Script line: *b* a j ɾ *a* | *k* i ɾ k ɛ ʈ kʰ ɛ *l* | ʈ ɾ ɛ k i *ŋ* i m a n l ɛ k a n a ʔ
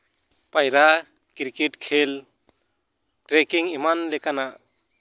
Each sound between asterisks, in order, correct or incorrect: incorrect: p, correct, correct, correct, correct

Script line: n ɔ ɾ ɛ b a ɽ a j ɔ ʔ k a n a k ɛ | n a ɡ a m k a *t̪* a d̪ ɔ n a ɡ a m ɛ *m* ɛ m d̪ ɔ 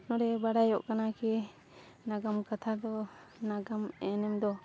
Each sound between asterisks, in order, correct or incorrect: incorrect: t̪ʰ, incorrect: n

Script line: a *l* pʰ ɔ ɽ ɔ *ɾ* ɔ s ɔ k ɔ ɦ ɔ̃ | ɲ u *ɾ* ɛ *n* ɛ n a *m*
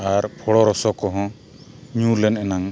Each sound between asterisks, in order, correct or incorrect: incorrect: ɾ, correct, incorrect: l, correct, incorrect: ŋ

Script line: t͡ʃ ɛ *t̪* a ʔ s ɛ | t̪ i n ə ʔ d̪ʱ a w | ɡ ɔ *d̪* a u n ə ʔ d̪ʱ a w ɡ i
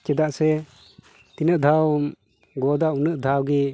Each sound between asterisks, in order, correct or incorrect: incorrect: d̪, correct

